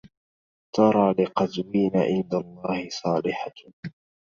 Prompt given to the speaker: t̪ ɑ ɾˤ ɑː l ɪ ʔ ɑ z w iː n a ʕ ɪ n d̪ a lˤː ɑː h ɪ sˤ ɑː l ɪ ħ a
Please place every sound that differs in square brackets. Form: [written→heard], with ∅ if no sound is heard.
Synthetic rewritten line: t̪ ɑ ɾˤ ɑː l ɪ [ʔ→q] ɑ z w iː n a ʕ ɪ n d̪ a lˤː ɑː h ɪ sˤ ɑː l ɪ ħ a

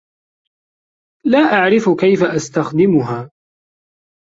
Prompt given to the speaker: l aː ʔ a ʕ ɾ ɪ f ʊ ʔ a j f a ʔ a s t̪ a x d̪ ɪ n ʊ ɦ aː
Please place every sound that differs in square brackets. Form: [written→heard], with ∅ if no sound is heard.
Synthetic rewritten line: l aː ʔ a ʕ ɾ ɪ f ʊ [ʔ→k] a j f a ʔ a s t̪ a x d̪ ɪ [n→m] ʊ ɦ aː

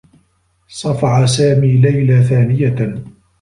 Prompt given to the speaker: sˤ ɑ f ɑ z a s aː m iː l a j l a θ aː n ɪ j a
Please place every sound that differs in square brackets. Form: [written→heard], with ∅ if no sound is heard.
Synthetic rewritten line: sˤ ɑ f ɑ [z→ʕ] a s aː m iː l a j l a θ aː n ɪ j a

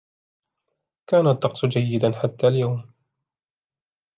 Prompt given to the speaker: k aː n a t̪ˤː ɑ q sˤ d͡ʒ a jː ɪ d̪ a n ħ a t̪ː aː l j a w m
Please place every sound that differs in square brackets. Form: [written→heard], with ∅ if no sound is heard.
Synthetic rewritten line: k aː n a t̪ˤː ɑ q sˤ d͡ʒ a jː ɪ d̪ a n ħ a t̪ː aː l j a w m

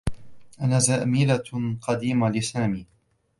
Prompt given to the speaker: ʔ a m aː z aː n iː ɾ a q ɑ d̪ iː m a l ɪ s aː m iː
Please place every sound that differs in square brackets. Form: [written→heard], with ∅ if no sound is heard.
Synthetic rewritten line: ʔ a [m→n] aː z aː [n→m] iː [ɾ→l] a q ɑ d̪ iː m a l ɪ s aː m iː

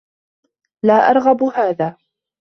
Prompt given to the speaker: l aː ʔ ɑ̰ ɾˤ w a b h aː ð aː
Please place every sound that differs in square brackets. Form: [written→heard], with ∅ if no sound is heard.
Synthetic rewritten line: l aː ʔ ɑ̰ ɾˤ [w→ɣ] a b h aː ð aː

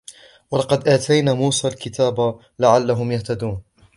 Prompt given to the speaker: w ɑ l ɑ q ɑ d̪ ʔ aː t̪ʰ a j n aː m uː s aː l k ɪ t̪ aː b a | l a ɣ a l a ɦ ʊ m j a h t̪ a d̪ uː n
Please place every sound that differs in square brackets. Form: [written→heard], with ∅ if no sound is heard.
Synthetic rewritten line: w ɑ l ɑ q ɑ d̪ ʔ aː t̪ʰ a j n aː m uː s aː l k ɪ t̪ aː b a | l a [ɣ→ʕ] a [l→lː] a ɦ ʊ m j a h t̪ a d̪ uː n

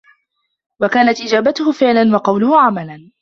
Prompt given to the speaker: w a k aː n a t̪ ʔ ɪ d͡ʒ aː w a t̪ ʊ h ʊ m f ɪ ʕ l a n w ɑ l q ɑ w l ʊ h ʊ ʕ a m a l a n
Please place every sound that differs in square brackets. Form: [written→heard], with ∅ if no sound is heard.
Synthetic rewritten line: w a k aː n a t̪ ʔ ɪ d͡ʒ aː [w→b] a t̪ ʊ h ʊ [m→∅] f ɪ ʕ l a n w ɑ [l→∅] q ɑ w l ʊ h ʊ ʕ a m a l a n

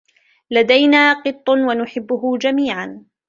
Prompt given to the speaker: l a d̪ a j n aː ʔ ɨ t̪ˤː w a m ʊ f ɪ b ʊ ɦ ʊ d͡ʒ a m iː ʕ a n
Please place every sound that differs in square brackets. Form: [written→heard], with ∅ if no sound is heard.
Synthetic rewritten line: l a d̪ a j n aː [ʔ→q] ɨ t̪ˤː w a [m→n] ʊ [f→ħ] ɪ [b→bː] ʊ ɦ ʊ d͡ʒ a m iː ʕ a n

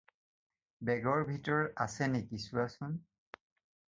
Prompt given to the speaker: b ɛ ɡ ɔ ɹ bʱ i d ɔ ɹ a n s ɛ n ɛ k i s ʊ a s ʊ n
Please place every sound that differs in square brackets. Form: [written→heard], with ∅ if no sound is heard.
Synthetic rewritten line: b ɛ ɡ ɔ ɹ bʱ i [d→t] ɔ ɹ a [n→∅] s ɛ n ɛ k i s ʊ a s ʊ n

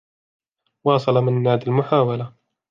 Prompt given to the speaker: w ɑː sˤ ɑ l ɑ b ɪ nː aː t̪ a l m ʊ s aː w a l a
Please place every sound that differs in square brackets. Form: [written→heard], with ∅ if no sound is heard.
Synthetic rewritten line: w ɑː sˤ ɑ l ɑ [b→m] ɪ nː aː [t̪→d̪] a l m ʊ [s→ħ] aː w a l a

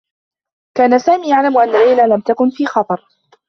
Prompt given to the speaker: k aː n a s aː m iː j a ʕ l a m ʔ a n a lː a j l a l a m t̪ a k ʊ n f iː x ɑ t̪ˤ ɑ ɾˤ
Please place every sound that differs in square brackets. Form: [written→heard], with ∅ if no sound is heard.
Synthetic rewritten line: k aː n a s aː m iː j a ʕ l a m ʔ a [n→nː] a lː a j l a l a m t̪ a k ʊ n f iː x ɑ t̪ˤ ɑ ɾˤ

